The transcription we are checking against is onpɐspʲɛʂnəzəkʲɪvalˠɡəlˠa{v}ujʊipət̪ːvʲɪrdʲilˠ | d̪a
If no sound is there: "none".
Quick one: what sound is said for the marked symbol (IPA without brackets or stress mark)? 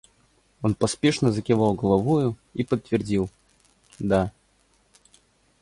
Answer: v